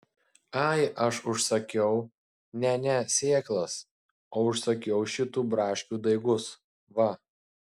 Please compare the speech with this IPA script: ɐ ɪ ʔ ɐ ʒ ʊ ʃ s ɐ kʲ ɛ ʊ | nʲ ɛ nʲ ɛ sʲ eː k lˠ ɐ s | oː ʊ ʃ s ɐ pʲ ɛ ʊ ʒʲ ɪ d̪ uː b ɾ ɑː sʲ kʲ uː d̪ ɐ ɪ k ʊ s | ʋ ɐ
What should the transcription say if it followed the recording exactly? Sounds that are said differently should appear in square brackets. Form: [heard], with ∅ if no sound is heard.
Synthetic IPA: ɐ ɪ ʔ ɐ [ʃ] ʊ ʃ s ɐ kʲ ɛ ʊ | nʲ ɛ nʲ ɛ sʲ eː k lˠ ɐ s | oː ʊ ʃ s ɐ [kʲ] ɛ ʊ [ʃʲ] ɪ [t̪] uː b ɾ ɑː [ʃʲ] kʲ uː d̪ ɐ ɪ [ɡ] ʊ s | ʋ ɐ